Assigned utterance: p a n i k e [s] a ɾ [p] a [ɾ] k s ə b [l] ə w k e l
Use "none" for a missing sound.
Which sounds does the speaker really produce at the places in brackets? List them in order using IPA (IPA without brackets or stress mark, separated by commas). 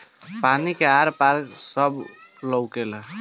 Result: none, p, ɾ, l